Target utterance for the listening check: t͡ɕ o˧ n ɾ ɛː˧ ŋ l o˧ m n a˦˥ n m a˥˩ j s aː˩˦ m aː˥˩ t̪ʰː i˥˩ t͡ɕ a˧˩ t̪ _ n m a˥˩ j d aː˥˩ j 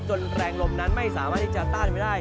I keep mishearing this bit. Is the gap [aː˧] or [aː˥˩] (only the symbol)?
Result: aː˥˩